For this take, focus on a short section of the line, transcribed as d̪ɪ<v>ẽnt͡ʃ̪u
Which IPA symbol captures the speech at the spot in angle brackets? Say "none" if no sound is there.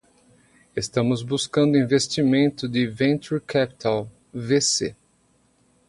v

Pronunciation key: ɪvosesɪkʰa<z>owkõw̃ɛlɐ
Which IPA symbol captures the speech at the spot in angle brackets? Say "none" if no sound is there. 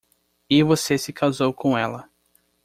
z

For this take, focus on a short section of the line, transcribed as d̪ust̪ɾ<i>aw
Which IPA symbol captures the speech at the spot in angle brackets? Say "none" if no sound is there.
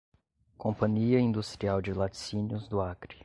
i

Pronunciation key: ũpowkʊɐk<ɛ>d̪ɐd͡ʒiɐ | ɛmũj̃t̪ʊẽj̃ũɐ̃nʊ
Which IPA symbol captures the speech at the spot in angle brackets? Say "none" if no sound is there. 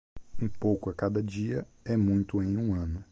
a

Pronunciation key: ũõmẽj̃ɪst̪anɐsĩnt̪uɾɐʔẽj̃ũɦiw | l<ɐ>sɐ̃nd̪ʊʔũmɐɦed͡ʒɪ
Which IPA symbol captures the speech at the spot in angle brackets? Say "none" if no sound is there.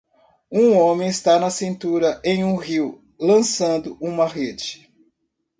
ɐ̃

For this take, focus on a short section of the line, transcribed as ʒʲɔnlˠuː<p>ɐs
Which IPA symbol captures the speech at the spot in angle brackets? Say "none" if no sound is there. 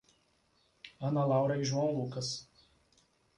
k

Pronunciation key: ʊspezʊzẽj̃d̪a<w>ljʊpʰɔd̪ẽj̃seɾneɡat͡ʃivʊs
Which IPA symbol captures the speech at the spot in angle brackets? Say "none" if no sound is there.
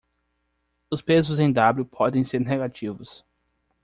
b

